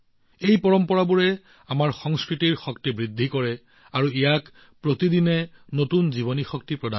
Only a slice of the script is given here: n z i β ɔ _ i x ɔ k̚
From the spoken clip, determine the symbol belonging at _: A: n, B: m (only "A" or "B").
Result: A